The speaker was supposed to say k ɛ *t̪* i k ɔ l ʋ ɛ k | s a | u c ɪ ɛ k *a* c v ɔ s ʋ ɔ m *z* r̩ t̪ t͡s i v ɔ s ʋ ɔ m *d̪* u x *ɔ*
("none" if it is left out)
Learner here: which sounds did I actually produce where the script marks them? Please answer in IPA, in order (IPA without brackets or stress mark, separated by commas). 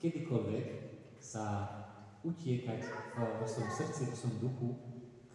d̪, a, s, d̪, u